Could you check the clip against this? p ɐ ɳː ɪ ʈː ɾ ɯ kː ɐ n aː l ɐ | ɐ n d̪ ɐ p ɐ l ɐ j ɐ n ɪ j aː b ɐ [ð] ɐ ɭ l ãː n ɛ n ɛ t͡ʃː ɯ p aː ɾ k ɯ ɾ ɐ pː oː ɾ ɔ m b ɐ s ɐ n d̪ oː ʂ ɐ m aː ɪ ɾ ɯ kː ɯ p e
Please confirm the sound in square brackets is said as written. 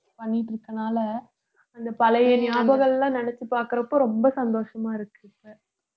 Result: no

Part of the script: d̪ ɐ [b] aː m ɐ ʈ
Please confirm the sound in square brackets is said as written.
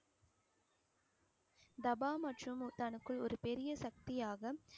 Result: yes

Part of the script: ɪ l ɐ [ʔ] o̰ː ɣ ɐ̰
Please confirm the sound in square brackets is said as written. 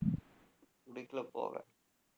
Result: no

